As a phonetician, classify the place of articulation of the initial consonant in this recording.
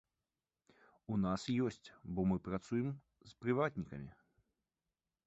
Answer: alveolar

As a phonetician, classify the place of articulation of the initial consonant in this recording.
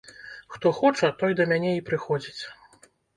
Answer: velar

